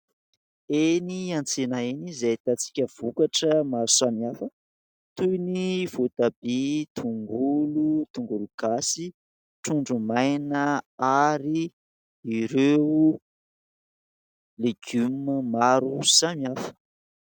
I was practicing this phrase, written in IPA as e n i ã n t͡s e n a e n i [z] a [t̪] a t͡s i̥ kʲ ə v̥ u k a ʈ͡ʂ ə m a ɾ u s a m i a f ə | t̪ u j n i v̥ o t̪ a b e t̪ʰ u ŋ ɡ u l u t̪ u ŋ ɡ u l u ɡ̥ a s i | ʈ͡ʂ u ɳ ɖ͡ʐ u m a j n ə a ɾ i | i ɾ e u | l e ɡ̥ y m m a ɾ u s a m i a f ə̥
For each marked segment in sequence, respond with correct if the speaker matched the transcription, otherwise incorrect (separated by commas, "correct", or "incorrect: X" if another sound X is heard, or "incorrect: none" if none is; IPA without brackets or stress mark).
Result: correct, correct